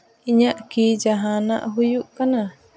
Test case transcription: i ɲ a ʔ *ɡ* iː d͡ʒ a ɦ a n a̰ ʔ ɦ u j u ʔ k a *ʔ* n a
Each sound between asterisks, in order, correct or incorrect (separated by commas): incorrect, incorrect